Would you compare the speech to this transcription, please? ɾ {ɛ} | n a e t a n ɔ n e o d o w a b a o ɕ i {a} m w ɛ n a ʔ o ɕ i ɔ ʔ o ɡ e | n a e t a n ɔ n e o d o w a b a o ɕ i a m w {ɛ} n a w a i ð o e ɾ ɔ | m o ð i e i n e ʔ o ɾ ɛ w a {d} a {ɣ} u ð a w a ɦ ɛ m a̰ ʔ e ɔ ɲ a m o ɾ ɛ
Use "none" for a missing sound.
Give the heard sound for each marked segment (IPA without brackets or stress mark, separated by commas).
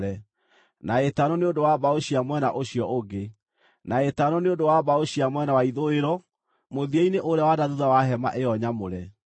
ɛ, a, ɛ, d, ð